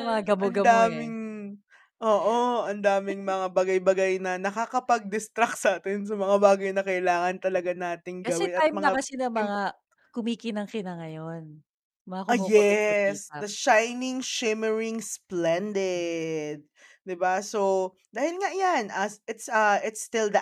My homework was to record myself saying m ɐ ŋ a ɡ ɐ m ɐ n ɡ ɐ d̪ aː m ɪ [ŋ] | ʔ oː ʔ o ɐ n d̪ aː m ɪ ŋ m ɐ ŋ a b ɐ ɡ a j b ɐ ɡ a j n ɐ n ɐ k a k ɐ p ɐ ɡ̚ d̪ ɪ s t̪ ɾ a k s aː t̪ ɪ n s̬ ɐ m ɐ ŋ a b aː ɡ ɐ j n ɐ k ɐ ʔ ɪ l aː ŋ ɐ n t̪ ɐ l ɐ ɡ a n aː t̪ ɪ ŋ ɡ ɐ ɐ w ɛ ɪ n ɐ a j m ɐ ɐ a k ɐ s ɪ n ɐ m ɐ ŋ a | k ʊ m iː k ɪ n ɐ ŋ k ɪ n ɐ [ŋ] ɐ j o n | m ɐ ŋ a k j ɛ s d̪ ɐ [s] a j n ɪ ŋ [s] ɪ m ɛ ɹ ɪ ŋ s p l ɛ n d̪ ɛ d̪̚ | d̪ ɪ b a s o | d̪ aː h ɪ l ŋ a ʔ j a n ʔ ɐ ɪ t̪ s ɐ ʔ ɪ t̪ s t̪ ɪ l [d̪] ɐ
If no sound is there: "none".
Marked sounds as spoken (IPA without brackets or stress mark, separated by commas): ŋ, ŋ, ʃ, ʃ, d̪